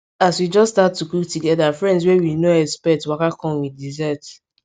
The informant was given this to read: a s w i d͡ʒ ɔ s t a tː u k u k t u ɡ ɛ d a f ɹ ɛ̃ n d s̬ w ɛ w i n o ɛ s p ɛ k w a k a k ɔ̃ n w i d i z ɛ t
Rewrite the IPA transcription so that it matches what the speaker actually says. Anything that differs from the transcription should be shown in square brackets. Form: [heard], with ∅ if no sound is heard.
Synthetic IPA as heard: a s w i d͡ʒ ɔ s t a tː u k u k t u ɡ ɛ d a f ɹ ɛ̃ n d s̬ w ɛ w i n o ɛ s p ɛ [t] w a k a k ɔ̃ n w i d i z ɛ t